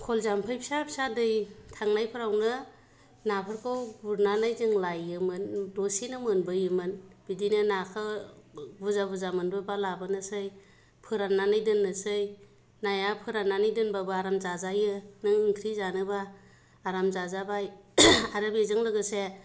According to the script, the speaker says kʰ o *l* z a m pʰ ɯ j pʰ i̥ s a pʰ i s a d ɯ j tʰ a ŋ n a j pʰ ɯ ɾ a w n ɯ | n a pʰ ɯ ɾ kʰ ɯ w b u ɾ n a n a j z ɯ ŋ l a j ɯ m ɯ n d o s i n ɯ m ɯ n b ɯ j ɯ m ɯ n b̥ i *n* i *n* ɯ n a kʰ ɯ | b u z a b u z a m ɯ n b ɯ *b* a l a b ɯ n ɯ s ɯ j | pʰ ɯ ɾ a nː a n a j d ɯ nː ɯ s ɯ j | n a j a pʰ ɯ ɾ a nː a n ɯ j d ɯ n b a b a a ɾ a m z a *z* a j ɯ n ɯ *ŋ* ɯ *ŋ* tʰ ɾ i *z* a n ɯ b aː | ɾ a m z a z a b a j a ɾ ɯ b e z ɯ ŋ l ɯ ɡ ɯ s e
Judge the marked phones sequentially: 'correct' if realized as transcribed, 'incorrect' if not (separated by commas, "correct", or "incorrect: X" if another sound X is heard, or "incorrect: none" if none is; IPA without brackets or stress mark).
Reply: correct, incorrect: d, correct, correct, correct, correct, correct, correct